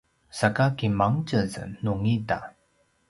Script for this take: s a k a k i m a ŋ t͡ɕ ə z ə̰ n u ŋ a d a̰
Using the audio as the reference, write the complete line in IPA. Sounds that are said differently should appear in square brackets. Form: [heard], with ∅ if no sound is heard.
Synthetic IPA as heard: s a k a k i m a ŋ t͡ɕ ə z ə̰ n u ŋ [i] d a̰